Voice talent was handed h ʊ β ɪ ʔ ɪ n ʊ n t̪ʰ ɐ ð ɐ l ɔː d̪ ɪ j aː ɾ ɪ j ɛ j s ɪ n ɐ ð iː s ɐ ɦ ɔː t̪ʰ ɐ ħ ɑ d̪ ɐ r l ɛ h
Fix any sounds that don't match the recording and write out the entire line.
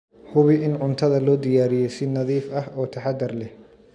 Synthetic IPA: h ʊ β ɪ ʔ ɪ n ʊ n t̪ʰ ɐ ð ɐ l ɔː d̪ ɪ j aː ɾ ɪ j ɛ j s ɪ n ɐ ð iː f ɐ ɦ ɔː t̪ʰ ɐ ħ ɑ d̪ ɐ r l ɛ h